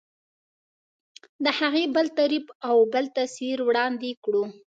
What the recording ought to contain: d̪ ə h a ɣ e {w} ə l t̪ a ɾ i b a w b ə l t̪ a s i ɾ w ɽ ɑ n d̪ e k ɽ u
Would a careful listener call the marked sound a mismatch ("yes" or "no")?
yes